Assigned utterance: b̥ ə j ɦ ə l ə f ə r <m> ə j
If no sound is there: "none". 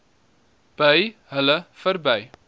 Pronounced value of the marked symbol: b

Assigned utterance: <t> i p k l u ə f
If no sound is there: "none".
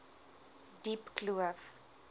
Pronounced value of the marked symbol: d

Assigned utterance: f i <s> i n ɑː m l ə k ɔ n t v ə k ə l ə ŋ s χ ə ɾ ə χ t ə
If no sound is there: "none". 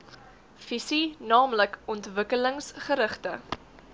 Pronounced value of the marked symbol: s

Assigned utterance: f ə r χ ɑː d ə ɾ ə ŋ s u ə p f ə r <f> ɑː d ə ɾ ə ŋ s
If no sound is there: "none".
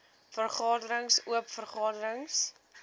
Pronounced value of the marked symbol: χ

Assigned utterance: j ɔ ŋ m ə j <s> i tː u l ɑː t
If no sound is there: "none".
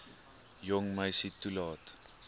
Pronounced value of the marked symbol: s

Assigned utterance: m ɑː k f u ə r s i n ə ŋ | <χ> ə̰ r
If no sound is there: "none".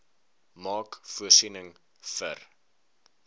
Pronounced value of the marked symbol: f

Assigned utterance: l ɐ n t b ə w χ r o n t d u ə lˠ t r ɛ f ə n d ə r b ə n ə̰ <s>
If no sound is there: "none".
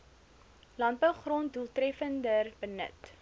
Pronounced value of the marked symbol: t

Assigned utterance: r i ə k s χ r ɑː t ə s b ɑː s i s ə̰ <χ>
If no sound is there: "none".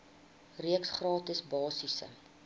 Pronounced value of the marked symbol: none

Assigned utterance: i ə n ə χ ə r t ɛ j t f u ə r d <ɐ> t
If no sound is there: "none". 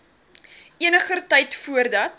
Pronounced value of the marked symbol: ɐ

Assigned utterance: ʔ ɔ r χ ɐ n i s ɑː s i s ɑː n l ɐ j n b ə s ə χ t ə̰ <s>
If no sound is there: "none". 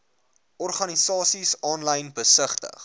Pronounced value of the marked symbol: χ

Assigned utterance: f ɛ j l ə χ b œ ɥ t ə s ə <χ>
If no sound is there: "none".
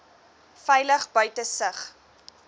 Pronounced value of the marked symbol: χ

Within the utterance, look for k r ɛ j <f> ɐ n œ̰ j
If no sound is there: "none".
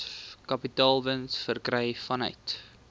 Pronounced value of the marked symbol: f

